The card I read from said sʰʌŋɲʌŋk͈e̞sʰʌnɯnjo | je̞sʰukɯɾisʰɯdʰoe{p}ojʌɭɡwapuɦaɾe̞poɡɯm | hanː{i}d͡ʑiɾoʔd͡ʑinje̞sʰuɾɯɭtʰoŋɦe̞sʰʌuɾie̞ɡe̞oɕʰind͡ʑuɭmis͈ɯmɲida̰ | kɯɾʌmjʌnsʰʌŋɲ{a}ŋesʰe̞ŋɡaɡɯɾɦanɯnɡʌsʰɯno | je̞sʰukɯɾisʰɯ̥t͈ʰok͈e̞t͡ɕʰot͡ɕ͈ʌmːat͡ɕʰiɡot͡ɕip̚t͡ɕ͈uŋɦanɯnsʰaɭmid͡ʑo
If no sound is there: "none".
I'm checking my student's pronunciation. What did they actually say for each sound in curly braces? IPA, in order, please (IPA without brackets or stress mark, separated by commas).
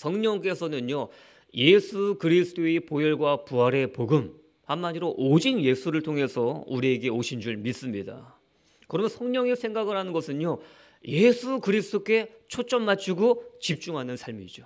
p, a, ʌ